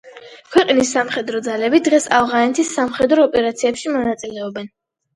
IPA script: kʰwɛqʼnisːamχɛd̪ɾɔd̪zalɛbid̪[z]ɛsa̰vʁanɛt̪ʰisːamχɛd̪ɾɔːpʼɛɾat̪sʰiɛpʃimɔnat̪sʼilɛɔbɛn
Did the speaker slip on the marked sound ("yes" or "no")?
yes